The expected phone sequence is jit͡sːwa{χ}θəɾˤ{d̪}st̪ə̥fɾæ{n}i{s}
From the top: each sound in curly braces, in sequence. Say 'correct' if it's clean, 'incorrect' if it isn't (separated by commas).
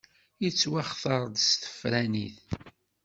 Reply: correct, correct, correct, incorrect